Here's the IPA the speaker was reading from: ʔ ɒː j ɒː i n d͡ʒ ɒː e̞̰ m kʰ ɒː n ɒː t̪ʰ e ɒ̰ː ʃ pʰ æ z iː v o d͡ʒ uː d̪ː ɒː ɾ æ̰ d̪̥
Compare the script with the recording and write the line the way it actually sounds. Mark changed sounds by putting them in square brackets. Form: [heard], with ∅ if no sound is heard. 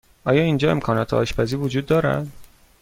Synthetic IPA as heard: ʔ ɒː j ɒː i n d͡ʒ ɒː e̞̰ m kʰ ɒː n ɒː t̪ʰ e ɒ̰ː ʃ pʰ æ z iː v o d͡ʒ uː d̪ː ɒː ɾ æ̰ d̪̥